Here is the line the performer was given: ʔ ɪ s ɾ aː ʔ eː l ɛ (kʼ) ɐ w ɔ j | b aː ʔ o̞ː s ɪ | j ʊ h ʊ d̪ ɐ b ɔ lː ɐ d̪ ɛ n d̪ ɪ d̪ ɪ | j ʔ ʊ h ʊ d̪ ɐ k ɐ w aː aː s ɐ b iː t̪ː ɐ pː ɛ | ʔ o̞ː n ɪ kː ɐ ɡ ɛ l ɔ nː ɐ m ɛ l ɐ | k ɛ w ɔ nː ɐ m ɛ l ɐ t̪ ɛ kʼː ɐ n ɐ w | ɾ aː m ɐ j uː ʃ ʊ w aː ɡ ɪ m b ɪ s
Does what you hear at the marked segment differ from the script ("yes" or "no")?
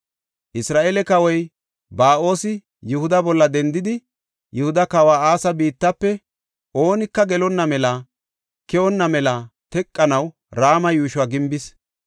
yes